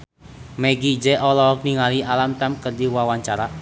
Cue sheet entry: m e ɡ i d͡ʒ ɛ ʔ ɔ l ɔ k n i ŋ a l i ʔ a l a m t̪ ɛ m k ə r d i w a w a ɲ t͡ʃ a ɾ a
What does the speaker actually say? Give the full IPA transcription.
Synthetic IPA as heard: m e ɡ i d͡ʒ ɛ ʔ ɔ l ɔ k n i ŋ a l i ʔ a l a m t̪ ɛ m k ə r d i w a w a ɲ t͡ʃ a ɾ a